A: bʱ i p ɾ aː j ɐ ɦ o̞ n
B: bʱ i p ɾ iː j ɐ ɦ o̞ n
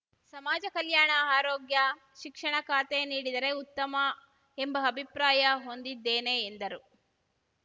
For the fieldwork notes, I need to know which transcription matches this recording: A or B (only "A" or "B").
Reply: A